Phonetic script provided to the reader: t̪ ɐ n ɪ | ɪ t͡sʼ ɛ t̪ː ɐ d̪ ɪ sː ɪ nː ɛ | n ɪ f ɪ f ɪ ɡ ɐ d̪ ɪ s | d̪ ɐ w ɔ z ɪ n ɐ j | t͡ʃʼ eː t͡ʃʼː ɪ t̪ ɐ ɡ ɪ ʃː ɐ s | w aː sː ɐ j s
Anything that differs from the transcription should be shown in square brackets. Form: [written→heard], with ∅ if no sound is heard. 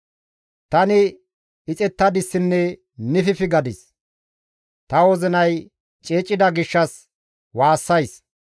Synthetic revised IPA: t̪ ɐ n ɪ | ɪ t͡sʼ ɛ t̪ː ɐ d̪ ɪ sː ɪ nː ɛ | n ɪ f ɪ f ɪ ɡ ɐ d̪ ɪ s | [d̪→t̪] ɐ w ɔ z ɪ n ɐ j | t͡ʃʼ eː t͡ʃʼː ɪ [t̪→d̪] ɐ ɡ ɪ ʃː ɐ s | w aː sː ɐ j s